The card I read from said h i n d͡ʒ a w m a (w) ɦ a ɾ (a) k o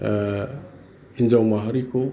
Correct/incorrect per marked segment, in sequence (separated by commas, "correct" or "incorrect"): incorrect, incorrect